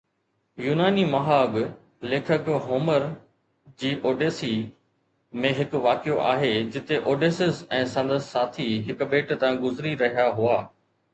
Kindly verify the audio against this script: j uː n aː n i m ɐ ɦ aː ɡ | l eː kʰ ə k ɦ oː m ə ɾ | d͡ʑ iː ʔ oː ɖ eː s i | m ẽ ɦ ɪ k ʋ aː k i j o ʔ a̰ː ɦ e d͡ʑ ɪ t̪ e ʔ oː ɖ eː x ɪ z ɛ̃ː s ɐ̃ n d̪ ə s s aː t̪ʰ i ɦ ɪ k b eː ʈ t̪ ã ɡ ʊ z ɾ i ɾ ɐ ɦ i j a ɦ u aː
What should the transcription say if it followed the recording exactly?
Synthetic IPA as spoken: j uː n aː n i m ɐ ɦ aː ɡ | l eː kʰ ə k ɦ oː m ə ɾ | d͡ʑ iː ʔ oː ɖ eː s i | m ẽ ɦ ɪ k ʋ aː k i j o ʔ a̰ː ɦ e d͡ʑ ɪ t̪ e ʔ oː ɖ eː s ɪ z ɛ̃ː s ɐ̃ n d̪ ə s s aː t̪ʰ i ɦ ɪ k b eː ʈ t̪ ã ɡ ʊ z ɾ i ɾ ɐ ɦ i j a ɦ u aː